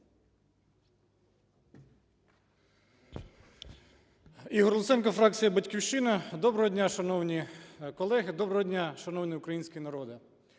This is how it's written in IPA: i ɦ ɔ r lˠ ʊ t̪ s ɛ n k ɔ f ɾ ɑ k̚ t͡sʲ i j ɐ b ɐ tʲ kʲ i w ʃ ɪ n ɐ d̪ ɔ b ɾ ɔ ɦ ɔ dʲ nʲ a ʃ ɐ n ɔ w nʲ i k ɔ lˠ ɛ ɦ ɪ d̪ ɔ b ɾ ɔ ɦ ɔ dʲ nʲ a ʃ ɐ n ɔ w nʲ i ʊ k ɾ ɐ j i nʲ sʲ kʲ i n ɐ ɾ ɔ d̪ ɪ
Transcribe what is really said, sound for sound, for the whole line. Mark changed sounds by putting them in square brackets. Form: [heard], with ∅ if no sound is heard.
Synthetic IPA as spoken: i ɦ ɔ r lˠ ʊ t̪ s ɛ n k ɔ f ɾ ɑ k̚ t͡sʲ i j ɐ b ɐ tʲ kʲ i w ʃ ɪ n ɐ d̪ ɔ b ɾ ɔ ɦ ɔ dʲ nʲ a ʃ ɐ n ɔ w nʲ i k ɔ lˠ ɛ ɦ ɪ d̪ ɔ b ɾ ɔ ɦ ɔ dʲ nʲ a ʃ ɐ n ɔ w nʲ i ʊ k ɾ ɐ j i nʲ sʲ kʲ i n ɐ ɾ ɔ d̪ ɪ